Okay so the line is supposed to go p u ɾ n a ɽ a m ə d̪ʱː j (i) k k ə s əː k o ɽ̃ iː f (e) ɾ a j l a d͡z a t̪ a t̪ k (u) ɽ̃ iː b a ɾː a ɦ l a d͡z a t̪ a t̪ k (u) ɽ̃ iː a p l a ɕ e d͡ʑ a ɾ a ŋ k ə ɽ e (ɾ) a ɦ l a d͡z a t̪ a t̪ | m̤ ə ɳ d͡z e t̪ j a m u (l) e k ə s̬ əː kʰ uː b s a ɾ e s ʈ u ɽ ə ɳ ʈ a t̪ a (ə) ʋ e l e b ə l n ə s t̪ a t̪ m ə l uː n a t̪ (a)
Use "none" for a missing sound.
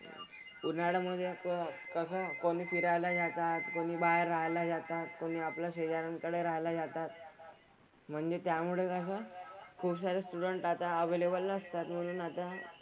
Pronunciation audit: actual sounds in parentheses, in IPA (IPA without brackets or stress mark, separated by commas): e, i, o, o, ɾ, ɭ, ə, a